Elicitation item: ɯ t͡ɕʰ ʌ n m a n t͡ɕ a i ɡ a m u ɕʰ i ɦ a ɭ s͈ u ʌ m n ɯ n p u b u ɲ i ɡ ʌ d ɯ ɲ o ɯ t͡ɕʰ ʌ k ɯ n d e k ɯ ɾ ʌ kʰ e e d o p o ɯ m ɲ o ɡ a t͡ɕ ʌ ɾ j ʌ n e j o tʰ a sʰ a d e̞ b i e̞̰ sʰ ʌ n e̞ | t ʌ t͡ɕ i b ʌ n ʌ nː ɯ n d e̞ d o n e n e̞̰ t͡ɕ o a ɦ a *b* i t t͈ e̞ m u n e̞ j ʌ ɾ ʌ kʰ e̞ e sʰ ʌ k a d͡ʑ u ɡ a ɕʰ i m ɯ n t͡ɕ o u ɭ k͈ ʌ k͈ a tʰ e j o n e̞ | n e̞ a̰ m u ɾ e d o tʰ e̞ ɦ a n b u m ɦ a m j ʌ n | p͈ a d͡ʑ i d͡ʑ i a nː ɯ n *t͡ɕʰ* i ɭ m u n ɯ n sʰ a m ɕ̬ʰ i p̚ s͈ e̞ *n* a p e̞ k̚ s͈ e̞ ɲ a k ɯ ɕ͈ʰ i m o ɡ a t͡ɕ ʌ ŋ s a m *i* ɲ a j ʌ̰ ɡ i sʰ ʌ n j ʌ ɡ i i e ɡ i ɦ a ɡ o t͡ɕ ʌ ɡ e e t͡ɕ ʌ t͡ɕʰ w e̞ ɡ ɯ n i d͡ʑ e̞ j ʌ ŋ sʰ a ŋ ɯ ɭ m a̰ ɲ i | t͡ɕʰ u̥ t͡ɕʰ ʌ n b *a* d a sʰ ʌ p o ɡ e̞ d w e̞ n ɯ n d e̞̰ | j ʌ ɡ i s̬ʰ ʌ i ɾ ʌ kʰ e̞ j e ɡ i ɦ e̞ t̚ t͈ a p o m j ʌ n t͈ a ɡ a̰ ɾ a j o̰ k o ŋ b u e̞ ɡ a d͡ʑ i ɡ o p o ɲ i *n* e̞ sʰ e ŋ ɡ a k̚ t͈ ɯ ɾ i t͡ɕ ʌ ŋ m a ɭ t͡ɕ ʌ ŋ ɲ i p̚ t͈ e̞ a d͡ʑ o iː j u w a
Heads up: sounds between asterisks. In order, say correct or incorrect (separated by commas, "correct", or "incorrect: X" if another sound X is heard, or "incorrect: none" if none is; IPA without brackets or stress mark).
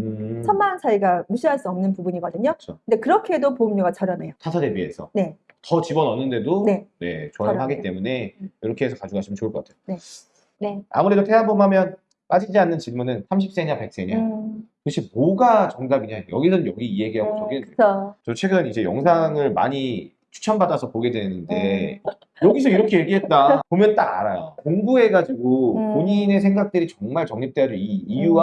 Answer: incorrect: ɡ, incorrect: t͡ɕ, incorrect: ɲ, correct, correct, correct